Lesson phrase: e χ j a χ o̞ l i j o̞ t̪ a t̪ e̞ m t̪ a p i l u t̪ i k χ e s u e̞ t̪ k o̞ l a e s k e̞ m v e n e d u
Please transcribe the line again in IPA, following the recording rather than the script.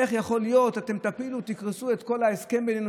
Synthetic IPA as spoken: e χ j a χ o̞ l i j o̞ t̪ a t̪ e̞ m t̪ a p i l u t̪ i k ʁ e s u e̞ t̪ k o̞ l a e s k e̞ m b e n e n u